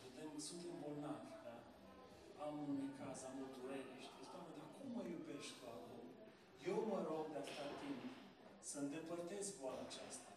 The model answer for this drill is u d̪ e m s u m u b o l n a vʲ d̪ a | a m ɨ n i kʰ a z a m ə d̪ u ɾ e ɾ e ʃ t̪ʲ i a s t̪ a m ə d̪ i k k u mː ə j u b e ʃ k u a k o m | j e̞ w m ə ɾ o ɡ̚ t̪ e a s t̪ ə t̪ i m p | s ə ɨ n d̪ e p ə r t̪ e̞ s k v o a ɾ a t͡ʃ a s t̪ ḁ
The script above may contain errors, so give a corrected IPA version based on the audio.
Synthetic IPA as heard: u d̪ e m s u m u b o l n a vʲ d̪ a | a m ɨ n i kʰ a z a m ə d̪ u ɾ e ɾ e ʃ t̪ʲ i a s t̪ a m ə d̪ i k k u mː ə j u b e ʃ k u a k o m | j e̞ w m ə ɾ o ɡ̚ d̪ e a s t̪ a t̪ i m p | s ə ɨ n d̪ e p ə r t̪ e̞ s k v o a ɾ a t͡ʃ a s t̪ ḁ